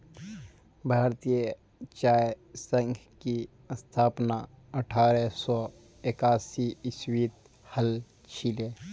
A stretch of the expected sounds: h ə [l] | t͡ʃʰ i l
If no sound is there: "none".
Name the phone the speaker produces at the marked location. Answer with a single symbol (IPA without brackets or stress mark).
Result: l